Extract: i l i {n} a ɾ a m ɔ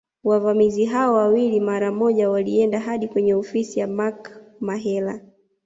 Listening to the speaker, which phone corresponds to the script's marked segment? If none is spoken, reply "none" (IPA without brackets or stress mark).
m